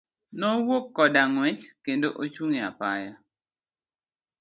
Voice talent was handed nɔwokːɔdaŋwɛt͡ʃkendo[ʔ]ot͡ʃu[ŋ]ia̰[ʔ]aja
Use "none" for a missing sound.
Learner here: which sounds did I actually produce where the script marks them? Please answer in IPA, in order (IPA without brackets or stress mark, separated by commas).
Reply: ʔ, ŋ, p